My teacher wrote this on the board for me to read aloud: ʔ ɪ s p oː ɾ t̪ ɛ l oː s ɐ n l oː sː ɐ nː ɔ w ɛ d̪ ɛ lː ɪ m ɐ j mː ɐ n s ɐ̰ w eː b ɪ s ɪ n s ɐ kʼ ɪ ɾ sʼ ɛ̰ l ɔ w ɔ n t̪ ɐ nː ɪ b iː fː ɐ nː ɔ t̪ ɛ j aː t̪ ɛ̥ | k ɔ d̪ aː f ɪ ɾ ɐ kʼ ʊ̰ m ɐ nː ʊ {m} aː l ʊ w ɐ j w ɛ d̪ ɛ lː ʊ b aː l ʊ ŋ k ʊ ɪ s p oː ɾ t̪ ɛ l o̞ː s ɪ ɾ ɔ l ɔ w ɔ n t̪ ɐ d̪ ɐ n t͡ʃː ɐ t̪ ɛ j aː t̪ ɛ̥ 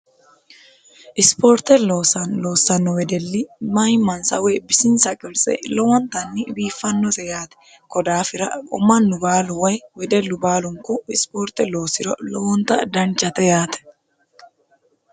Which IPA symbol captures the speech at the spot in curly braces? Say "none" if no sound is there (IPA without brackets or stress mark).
b